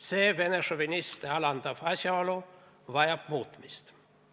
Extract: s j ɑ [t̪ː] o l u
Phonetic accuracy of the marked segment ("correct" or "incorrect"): incorrect